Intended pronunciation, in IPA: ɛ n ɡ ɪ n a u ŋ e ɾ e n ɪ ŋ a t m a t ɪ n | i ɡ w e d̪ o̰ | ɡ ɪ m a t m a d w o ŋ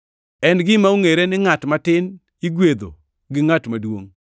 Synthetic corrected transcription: ɛ n ɡ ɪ m a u ŋ e ɾ e n ɪ ŋ a t m a t ɪ n | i ɡ w e d̪ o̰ | ɡ ɪ ŋ a t m a d w o ŋ